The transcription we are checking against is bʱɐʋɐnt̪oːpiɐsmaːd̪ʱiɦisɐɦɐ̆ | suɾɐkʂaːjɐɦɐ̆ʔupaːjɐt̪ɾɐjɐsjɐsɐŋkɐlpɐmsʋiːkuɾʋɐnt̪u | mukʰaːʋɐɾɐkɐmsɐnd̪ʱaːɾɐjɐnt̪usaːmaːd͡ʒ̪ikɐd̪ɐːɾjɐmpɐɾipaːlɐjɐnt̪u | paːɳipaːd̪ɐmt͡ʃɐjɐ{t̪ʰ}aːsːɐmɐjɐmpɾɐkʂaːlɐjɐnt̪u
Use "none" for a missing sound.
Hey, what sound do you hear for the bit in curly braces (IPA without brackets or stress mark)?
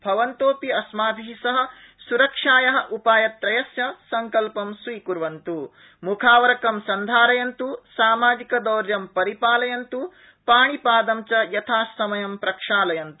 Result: t̪ʰ